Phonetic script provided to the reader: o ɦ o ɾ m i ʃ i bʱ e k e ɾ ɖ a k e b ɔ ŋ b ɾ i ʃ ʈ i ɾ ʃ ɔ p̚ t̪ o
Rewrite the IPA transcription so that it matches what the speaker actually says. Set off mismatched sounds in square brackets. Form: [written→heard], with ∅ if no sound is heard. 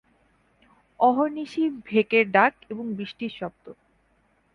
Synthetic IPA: [o→ɔ] ɦ o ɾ [m→n] i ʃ i bʱ e k e ɾ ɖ a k e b [ɔ→o] ŋ b ɾ i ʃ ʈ i ɾ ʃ ɔ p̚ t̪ o